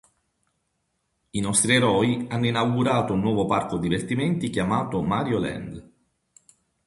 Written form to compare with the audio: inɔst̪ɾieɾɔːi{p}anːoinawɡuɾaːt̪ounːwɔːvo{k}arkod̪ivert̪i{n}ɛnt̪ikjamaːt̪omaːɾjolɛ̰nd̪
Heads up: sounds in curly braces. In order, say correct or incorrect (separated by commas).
incorrect, incorrect, incorrect